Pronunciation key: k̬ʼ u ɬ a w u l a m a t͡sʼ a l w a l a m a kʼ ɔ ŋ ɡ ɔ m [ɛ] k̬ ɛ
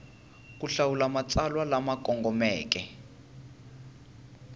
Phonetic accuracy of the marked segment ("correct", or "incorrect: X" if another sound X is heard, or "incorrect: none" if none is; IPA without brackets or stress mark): incorrect: ɛː